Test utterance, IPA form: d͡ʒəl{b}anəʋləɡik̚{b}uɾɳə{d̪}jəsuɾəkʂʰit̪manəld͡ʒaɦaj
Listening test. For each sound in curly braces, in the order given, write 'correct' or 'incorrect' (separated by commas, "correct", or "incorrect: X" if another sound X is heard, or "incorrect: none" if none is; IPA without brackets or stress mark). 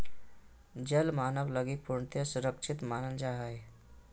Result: incorrect: m, incorrect: p, incorrect: t̪